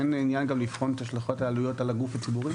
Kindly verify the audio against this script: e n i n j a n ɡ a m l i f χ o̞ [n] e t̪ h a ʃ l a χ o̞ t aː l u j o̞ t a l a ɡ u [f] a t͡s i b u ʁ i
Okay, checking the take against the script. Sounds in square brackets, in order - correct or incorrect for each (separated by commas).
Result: correct, correct